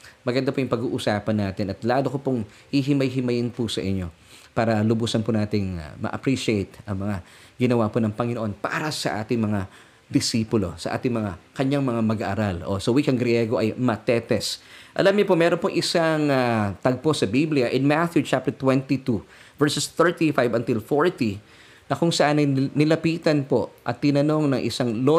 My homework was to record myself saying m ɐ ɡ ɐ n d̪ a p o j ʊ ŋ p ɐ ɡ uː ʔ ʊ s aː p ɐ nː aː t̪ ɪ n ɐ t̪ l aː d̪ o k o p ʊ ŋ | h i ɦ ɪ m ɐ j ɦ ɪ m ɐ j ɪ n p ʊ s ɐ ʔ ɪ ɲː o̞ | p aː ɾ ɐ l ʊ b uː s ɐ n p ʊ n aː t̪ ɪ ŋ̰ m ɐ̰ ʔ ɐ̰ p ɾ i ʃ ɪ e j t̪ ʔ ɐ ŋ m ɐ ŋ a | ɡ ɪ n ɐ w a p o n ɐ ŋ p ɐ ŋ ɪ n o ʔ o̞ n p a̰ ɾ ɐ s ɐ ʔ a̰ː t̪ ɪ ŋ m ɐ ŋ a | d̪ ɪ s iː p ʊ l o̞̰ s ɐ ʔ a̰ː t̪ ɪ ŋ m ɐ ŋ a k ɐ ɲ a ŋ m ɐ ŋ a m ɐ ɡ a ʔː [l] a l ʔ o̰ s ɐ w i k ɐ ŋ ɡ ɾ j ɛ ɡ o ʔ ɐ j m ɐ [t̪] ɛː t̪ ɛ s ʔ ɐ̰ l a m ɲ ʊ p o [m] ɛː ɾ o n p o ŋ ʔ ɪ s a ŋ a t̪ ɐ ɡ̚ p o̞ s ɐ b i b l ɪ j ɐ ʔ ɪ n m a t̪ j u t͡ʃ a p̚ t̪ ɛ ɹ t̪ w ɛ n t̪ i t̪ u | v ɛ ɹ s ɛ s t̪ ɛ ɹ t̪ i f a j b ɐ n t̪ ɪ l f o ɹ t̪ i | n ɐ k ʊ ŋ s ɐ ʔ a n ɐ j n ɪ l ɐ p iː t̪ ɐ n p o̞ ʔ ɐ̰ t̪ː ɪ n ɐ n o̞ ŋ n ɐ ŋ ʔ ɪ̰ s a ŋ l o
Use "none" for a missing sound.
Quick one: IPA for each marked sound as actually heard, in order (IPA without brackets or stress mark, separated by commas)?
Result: ɾ, t̪, m